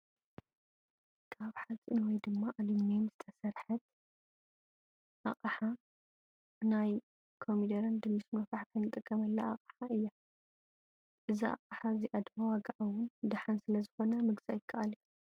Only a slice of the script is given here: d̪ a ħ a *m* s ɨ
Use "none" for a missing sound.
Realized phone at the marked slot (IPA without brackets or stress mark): n